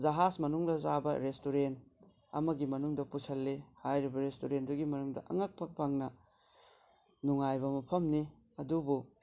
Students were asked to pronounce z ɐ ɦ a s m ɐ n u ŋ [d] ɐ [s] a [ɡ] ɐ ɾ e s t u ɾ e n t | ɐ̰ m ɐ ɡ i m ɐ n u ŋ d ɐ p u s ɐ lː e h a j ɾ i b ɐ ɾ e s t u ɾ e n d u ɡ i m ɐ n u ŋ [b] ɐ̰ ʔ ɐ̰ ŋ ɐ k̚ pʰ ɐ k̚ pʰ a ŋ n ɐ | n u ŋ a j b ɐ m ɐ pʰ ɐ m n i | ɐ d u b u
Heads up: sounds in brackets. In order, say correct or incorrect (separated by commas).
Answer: correct, incorrect, incorrect, incorrect